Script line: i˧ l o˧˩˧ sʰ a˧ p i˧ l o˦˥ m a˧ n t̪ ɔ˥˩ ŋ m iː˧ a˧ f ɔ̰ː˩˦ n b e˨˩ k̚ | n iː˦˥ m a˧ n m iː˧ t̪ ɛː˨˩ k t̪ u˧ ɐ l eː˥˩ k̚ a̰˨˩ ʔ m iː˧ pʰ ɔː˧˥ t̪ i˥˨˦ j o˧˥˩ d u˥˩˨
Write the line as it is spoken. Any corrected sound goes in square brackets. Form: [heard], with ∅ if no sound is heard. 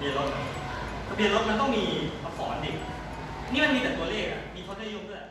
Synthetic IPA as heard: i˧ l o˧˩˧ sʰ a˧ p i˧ l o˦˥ m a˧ n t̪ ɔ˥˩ ŋ m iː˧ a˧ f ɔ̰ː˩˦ n [d] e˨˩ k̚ | n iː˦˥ m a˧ n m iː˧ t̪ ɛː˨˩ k t̪ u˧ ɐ l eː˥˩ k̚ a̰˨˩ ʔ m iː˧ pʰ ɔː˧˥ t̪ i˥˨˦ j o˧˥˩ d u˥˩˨